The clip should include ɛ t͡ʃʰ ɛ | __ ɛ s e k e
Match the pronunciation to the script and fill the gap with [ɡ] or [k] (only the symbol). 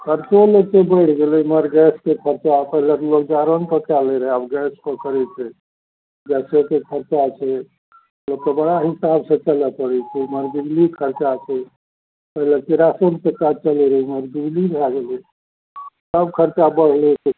ɡ